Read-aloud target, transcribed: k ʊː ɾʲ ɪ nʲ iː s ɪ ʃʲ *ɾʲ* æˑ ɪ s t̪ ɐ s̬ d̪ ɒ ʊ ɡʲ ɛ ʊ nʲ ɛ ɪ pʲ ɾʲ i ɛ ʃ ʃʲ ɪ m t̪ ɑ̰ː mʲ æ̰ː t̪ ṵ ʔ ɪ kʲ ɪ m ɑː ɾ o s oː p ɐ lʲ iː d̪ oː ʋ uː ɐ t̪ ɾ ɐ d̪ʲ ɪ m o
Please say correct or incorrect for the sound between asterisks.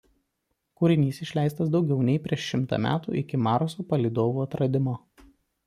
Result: incorrect